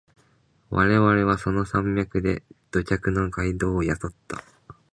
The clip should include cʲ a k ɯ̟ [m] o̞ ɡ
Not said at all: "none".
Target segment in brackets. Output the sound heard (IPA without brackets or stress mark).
n